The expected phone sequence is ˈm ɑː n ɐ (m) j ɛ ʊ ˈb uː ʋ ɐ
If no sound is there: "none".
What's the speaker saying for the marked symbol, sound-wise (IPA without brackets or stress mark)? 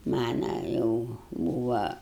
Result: none